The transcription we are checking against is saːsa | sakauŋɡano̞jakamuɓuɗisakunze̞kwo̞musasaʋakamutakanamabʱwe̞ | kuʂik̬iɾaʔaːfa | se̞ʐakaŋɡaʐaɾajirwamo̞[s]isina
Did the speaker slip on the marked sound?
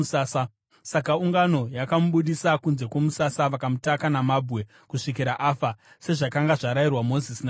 yes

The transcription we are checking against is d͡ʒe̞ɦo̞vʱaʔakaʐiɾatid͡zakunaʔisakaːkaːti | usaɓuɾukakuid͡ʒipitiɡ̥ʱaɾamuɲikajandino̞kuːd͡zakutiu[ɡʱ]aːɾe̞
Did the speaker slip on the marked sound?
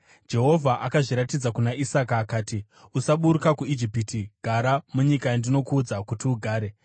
no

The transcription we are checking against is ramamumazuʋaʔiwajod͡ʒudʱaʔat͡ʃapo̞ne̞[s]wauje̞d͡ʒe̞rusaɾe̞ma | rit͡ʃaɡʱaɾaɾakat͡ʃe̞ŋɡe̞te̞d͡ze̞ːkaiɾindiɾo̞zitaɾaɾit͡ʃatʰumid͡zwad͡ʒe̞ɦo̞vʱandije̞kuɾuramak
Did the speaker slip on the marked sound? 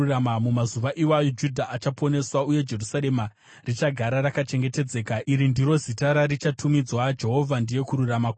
no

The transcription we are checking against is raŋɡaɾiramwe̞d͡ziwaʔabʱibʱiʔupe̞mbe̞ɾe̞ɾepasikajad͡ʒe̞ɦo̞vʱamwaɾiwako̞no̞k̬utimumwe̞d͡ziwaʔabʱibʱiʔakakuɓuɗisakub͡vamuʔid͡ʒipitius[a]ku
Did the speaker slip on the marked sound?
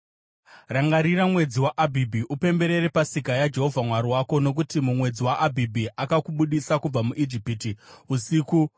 yes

